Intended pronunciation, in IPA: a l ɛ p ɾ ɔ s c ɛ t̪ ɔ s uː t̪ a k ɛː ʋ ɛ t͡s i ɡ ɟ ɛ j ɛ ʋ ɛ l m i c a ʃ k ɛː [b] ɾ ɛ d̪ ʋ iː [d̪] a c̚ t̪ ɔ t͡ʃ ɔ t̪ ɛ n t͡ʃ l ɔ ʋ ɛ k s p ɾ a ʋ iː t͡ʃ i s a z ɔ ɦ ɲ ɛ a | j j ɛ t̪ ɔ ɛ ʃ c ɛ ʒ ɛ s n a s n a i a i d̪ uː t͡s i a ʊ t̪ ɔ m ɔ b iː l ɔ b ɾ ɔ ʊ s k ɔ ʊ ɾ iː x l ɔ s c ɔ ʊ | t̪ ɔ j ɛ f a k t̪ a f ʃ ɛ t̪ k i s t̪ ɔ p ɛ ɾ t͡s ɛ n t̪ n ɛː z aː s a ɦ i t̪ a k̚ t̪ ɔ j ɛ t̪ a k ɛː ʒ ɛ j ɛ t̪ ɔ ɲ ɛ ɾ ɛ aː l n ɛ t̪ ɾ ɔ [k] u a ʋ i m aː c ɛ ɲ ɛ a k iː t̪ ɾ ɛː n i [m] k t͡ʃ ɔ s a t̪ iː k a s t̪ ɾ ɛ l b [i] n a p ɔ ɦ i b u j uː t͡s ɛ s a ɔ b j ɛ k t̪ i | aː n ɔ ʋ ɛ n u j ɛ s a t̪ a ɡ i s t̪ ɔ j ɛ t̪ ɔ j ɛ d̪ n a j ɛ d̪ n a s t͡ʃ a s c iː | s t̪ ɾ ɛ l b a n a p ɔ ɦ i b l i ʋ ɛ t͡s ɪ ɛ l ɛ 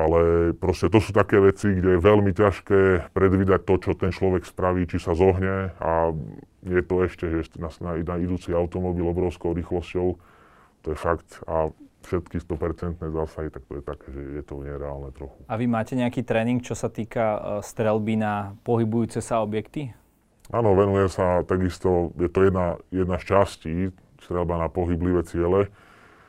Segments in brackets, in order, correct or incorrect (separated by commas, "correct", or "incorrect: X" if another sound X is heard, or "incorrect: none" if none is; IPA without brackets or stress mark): incorrect: p, correct, incorrect: x, incorrect: ŋ, correct